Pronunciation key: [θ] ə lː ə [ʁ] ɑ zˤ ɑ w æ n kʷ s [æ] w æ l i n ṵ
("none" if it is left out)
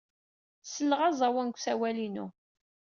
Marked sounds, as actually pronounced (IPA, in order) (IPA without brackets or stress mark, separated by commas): s, ʁ, æ